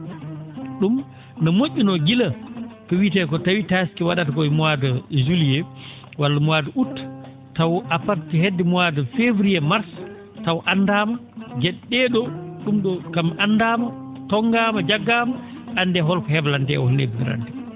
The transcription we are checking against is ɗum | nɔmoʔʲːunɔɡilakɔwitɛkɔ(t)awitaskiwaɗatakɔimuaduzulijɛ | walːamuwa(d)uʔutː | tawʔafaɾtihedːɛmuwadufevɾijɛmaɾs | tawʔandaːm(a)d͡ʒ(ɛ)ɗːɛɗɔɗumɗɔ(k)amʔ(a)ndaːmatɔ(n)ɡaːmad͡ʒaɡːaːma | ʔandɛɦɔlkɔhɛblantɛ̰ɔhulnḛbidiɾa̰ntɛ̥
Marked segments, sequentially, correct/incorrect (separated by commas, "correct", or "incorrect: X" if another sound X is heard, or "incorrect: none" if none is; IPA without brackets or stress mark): correct, correct, correct, correct, correct, correct, incorrect: ŋ